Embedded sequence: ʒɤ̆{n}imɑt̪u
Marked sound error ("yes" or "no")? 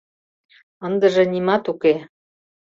no